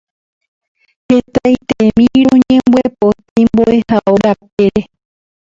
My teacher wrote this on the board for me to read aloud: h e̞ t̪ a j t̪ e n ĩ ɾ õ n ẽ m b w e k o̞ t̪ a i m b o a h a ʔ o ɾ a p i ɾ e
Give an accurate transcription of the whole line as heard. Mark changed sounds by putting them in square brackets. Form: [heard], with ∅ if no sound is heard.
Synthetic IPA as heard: h e̞ t̪ a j t̪ e [m] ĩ ɾ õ [ɲ] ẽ m b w e [p] o̞ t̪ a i m b o [e] h a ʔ o ɾ a p [e] ɾ e